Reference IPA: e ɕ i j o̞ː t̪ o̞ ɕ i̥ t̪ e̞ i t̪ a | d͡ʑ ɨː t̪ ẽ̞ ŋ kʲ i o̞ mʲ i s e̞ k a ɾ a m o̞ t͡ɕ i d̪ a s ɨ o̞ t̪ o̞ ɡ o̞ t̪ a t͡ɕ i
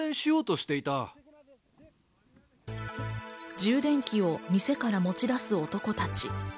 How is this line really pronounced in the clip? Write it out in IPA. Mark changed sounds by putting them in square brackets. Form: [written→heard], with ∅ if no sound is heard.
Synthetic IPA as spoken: [e→ẽ] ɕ i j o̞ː t̪ o̞ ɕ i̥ t̪ e̞ i t̪ a | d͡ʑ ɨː [t̪→d̪] ẽ̞ ŋ kʲ i o̞ mʲ i s e̞ k a ɾ a m o̞ t͡ɕ i d̪ a s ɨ o̞ t̪ o̞ [ɡ→k] o̞ t̪ a t͡ɕ i